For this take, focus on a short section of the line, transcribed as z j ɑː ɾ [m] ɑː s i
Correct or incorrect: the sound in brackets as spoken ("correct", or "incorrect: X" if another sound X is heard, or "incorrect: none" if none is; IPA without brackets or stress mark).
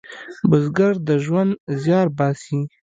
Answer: incorrect: b